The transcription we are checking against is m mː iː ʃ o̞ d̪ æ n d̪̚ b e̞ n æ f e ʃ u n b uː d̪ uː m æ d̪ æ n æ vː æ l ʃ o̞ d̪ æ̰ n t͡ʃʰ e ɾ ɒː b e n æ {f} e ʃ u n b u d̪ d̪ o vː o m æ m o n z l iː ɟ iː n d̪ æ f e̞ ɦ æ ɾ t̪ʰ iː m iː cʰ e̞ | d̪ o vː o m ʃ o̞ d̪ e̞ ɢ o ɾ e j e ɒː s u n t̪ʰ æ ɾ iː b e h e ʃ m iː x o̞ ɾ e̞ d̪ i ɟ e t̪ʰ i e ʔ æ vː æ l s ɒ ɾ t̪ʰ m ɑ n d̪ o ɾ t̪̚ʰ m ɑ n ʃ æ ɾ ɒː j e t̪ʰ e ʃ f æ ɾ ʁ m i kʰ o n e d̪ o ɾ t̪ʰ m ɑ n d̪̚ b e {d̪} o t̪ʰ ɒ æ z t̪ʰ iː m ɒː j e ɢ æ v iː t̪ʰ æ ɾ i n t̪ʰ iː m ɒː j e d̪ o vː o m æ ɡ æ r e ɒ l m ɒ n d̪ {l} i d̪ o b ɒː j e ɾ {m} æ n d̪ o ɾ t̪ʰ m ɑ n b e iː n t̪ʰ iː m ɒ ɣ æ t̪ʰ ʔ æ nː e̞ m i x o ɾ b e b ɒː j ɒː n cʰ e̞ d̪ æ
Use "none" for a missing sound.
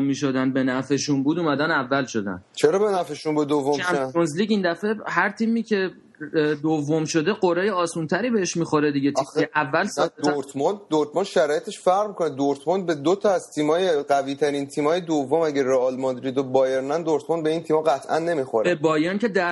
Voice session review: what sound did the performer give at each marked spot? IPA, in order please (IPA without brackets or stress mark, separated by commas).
f, d̪, ɾ, n